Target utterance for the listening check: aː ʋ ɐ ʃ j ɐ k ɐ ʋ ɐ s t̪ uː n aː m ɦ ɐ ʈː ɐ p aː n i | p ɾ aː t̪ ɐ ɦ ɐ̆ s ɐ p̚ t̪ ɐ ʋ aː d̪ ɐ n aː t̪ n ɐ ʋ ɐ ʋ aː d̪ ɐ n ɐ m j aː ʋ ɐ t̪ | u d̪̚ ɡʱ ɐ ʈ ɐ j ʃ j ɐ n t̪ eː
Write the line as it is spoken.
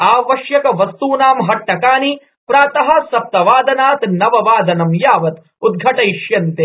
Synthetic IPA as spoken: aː ʋ ɐ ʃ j ɐ k ɐ ʋ ɐ s t̪ uː n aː m ɦ ɐ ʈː ɐ k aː n i | p ɾ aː t̪ ɐ ɦ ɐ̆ s ɐ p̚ t̪ ɐ ʋ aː d̪ ɐ n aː t̪ n ɐ ʋ ɐ ʋ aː d̪ ɐ n ɐ m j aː ʋ ɐ t̪ | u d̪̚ ɡʱ ɐ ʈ ɐ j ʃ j ɐ n t̪ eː